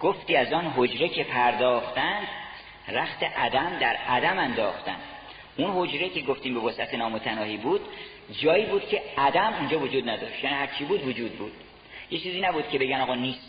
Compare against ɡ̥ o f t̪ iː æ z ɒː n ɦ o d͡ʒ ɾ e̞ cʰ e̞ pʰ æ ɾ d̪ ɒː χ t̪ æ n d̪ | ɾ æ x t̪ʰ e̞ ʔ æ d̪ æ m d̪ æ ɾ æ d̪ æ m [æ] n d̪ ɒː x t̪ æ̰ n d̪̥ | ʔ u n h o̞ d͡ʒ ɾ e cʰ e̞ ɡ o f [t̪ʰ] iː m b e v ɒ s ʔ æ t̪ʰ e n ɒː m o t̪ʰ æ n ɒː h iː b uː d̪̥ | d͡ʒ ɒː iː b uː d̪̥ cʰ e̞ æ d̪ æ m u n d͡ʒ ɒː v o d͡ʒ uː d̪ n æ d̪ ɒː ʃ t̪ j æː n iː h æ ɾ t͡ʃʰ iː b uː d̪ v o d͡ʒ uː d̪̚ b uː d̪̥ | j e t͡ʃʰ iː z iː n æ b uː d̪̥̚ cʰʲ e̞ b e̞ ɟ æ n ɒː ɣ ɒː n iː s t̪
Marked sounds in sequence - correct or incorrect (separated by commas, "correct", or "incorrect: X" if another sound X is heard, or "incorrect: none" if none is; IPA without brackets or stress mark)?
correct, incorrect: t̪